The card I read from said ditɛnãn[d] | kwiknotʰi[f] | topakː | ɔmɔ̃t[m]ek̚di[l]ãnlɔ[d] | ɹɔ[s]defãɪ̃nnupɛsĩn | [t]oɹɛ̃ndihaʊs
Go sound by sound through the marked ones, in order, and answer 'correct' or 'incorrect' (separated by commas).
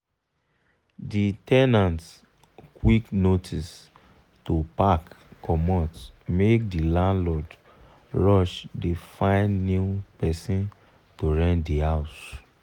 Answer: incorrect, incorrect, correct, correct, correct, incorrect, correct